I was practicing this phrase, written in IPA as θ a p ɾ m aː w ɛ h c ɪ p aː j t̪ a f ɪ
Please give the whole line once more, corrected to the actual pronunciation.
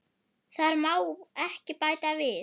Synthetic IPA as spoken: θ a ɾ m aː w ɛ h c ɪ p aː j t̪ a v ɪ

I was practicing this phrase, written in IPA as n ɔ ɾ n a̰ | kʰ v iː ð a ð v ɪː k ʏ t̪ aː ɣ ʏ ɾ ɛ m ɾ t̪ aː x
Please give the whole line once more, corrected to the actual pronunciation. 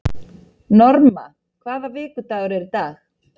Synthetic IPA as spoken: n ɔ ɾ m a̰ | kʰ v aː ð a v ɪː k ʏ t̪ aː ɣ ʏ ɾ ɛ ɾ t̪ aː x

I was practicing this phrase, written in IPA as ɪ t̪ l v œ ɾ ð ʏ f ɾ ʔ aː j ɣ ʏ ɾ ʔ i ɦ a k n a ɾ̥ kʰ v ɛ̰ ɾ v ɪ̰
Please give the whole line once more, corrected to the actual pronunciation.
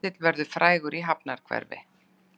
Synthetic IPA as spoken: ɪ t̪ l v ɛ ɾ ð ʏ f ɾ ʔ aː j ɣ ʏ ɾ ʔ i ɦ a p n a ɾ̥ kʰ v ɛ̰ ɾ v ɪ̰

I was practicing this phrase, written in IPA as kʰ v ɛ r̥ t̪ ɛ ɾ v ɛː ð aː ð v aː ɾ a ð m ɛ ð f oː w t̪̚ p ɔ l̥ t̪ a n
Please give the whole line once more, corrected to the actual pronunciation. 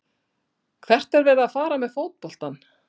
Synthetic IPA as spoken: kʰ v ɛ r̥ t̪ ɛ ɾ v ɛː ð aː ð f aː ɾ a m ɛ ð f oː w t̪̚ p ɔ l̥ t̪ a n

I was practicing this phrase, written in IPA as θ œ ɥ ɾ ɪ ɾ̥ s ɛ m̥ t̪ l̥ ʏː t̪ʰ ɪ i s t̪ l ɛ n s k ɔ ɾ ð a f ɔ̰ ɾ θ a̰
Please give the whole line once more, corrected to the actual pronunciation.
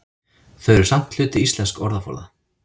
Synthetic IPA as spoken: θ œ ɥ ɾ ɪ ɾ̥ s a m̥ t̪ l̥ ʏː t̪ ɪ i s t̪ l ɛ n s k ɔ ɾ ð a f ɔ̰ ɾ ð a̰

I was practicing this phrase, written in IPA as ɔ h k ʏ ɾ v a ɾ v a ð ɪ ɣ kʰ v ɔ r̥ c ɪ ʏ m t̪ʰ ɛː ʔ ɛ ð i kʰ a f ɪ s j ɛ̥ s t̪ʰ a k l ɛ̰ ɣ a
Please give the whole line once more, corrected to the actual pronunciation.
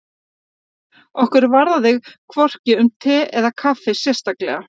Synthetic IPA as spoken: ɔ h k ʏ ɾ v a ɾ ð a ð ɪ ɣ kʰ v ɔ r̥ c ɪ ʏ m t̪ʰ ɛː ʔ ɛ ð a kʰ a f ɪ s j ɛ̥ s t̪ a k l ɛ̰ ɣ a

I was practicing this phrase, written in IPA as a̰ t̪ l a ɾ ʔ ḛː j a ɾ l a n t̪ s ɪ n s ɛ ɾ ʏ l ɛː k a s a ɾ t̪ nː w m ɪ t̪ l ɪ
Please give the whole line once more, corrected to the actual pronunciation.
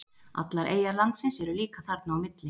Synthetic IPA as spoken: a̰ t̪ l a ɾ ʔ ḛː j a ɾ l a n t̪ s ɪ n s ɛ ɾ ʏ l iː k a θ a ɾ t̪ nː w m ɪ t̪ l ɪ

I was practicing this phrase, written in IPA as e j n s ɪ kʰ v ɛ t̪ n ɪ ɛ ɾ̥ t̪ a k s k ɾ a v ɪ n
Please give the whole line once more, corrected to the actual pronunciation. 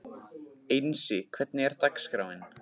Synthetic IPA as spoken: e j n s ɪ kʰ v ɛ t̪ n ɪ ɛ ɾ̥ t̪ a k s k ɾ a w ɪ n

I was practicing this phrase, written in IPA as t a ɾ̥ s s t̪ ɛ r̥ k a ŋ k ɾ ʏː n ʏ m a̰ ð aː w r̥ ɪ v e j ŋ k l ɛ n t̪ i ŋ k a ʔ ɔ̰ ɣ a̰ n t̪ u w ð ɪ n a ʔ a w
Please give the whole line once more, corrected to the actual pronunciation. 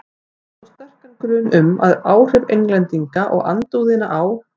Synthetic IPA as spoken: t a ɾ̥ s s t̪ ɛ r̥ k a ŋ k ɾ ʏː n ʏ m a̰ ð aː w r̥ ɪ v e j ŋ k l ɛ n t̪ i ŋ k a ʔ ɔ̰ ɣ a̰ n t̪ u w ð ɪ n a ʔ a w

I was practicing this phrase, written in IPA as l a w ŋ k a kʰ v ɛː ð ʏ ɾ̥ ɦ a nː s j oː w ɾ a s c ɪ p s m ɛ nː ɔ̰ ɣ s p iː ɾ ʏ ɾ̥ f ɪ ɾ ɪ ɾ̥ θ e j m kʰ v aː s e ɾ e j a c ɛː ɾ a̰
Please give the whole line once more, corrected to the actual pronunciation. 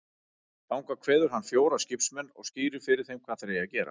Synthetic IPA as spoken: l a w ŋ k a kʰ v ɛː ð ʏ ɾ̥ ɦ a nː f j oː w ɾ a s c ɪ p s m ɛ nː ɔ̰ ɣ s c iː ɾ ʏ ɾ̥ f ɪ ɾ ɪ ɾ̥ θ e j m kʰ v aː θ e ɾ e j a c ɛː ɾ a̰

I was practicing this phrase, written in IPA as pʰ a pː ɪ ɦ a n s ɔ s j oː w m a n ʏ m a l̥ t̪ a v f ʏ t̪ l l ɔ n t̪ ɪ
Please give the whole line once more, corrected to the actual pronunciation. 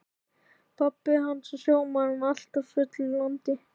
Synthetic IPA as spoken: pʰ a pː ɪ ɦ a n s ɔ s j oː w m a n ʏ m a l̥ t̪ a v f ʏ t̪ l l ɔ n t̪ ɪ

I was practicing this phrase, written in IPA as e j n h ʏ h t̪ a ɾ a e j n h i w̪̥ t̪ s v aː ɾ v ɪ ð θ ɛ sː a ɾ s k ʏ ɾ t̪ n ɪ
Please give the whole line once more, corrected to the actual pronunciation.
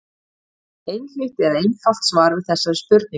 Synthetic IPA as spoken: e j n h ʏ h t̪ ɛ ɾ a e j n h a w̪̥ t̪ s v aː ɾ v ɪ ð θ ɛ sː a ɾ s p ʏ ɾ t̪ n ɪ

